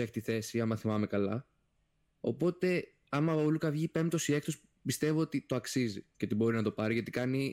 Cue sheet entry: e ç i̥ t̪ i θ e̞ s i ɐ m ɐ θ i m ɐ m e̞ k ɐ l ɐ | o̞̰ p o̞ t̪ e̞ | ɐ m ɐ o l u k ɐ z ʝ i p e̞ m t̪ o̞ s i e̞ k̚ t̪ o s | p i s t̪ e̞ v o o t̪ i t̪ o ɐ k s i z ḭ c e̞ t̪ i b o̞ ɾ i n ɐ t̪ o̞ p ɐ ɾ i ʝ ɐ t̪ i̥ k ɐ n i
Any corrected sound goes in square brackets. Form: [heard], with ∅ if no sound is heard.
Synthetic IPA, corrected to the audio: e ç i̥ t̪ i θ e̞ s i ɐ m ɐ θ i m ɐ m e̞ k ɐ l ɐ | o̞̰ p o̞ t̪ e̞ | ɐ m ɐ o l u k ɐ [v] ʝ i p e̞ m t̪ o̞ s i e̞ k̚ t̪ o s | p i s t̪ e̞ v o o t̪ i t̪ o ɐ k s i z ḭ c e̞ t̪ i b o̞ ɾ i n ɐ t̪ o̞ p ɐ ɾ i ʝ ɐ t̪ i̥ k ɐ n i